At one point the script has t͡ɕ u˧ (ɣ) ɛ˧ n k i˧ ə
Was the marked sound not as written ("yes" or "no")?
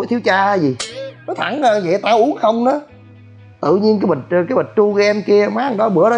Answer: no